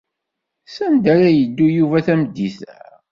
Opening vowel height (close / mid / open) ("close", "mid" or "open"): open